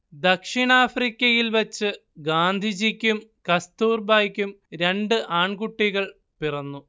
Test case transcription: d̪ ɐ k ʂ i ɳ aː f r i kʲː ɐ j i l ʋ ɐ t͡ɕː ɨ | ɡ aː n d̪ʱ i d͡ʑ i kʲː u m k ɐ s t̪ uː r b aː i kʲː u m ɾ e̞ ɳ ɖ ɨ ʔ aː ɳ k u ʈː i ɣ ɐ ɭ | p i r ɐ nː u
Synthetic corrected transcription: d̪ ɐ k ʂ i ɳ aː f r i kʲː ɐ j i l ʋ ɐ t͡ɕː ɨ | ɡ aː n d̪ʱ i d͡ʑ i kʲː u m k ɐ s t̪ uː r b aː j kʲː u m ɾ e̞ ɳ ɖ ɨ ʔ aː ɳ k u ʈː i ɣ ɐ ɭ | p i r ɐ nː u

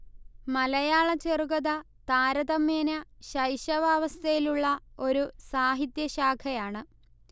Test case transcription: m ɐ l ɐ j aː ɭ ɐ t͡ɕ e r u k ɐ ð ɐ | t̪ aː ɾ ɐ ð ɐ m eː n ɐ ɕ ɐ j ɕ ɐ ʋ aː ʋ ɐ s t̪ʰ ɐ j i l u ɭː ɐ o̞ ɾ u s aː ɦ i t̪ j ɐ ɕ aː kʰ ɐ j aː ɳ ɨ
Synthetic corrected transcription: m ɐ l ɐ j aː ɭ ɐ t͡ɕ e r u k ɐ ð ɐ | t̪ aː ɾ ɐ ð ɐ m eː n ɐ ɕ ɐ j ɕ ɐ ʋ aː ʋ ɐ s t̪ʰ ɐ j i l u ɭː ɐ o̞ ɾ u s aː ɦ i t̪ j ɐ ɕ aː kʰ ɐ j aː ɳ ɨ

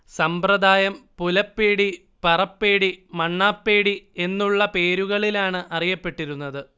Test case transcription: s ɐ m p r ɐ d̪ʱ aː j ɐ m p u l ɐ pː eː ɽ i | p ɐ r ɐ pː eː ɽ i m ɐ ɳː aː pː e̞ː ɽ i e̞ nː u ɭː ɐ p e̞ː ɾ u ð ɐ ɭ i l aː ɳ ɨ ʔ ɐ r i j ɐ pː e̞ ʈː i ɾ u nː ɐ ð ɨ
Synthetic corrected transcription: s ɐ m p r ɐ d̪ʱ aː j ɐ m p u l ɐ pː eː ɽ i | p ɐ r ɐ pː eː ɽ i m ɐ ɳː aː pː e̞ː ɽ i e̞ nː u ɭː ɐ p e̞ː ɾ u ɣ ɐ ɭ i l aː ɳ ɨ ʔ ɐ r i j ɐ pː e̞ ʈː i ɾ u nː ɐ ð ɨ

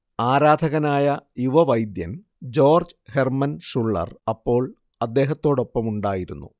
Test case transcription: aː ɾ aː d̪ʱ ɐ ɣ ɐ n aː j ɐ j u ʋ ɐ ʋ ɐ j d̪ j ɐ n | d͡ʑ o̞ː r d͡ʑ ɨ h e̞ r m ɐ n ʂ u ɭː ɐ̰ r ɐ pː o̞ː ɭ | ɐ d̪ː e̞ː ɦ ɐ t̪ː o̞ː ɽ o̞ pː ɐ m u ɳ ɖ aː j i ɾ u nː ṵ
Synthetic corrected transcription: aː ɾ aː d̪ʱ ɐ ɣ ɐ n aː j ɐ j u ʋ ɐ ʋ ɐ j d̪ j ɐ n | d͡ʑ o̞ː r d͡ʑ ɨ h e̞ r m ɐ n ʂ u ɭː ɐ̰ r ɐ pː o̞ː ɭ | ɐ d̪ː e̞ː ɦ ɐ t̪ː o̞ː ɽ o̞ pː ɐ m u ɳ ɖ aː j i ɾ u nː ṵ

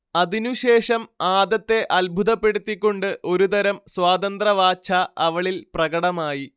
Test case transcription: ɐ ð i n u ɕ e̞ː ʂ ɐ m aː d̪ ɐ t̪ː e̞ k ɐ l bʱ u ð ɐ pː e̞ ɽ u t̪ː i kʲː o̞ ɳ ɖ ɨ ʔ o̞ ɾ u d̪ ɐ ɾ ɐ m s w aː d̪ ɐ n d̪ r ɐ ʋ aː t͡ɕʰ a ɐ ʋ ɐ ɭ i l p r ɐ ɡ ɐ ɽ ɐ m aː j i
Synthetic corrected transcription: ɐ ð i n u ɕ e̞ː ʂ ɐ m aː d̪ ɐ t̪ː e̞ ʔ ɐ l bʱ u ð ɐ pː e̞ ɽ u t̪ː i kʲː o̞ ɳ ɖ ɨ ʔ o̞ ɾ u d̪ ɐ ɾ ɐ m s w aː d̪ ɐ n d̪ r ɐ ʋ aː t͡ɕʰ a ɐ ʋ ɐ ɭ i l p r ɐ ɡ ɐ ɽ ɐ m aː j i

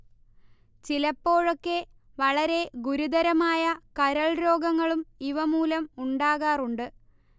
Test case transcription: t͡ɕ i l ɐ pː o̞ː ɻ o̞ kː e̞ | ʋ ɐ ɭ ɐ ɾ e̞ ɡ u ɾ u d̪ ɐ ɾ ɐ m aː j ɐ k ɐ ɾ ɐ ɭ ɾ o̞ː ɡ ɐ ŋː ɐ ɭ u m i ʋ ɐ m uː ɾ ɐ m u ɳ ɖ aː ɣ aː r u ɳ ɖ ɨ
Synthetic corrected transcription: t͡ɕ i l ɐ pː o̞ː ɻ o̞ kː e̞ | ʋ ɐ ɭ ɐ ɾ e̞ ɡ u ɾ u d̪ ɐ ɾ ɐ m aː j ɐ k ɐ ɾ ɐ ɭ ɾ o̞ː ɡ ɐ ŋː ɐ ɭ u m i ʋ ɐ m uː l ɐ m u ɳ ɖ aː ɣ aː r u ɳ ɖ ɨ

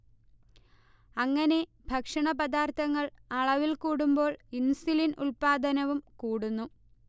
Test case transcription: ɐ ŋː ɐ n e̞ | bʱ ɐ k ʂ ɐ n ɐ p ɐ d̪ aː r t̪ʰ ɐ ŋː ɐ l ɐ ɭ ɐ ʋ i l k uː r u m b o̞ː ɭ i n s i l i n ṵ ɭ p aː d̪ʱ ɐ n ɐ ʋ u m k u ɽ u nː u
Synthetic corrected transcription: ɐ ŋː ɐ n e̞ | bʱ ɐ k ʂ ɐ ɳ ɐ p ɐ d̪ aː r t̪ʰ ɐ ŋː ɐ ɭ ɐ ɭ ɐ ʋ i l k uː ɽ u m b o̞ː ɭ i n s i l i n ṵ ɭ p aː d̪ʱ ɐ n ɐ ʋ u m k uː ɽ u nː u

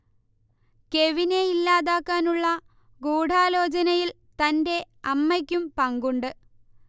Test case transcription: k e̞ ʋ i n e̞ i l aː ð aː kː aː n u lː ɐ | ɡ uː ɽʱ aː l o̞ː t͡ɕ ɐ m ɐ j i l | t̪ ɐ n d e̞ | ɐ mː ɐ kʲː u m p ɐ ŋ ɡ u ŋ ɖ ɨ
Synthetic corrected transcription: k e̞ ʋ i n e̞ i lː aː ð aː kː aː n u ɭː ɐ | ɡ uː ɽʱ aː l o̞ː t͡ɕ ɐ n ɐ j i l | t̪ ɐ n d e̞ | ɐ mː ɐ kʲː u m p ɐ ŋ ɡ u ɳ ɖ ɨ

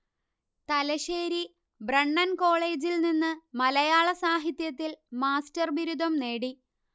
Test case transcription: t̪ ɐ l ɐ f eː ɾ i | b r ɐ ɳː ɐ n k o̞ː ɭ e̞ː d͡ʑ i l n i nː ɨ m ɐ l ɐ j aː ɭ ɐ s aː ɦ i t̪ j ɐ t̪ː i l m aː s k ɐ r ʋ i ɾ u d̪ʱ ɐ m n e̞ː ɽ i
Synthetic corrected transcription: t̪ ɐ l ɐ ɕ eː ɾ i | b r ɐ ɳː ɐ n k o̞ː ɭ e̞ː d͡ʑ i l n i nː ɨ m ɐ l ɐ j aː ɭ ɐ s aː ɦ i t̪ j ɐ t̪ː i l m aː s t ɐ r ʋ i ɾ u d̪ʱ ɐ m n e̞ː ɽ i

